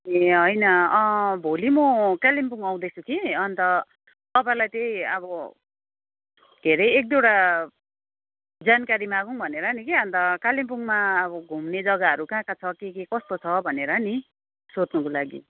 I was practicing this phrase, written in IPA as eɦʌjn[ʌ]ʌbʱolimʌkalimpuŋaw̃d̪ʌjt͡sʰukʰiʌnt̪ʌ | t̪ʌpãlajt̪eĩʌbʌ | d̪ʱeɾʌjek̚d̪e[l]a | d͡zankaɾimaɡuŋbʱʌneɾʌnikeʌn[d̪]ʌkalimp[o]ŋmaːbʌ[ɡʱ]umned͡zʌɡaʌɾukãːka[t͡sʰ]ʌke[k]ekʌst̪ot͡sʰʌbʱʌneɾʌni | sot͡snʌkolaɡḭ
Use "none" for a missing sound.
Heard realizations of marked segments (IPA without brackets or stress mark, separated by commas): ʌ, ɽ, t̪, u, ɡʱ, t͡sʰ, k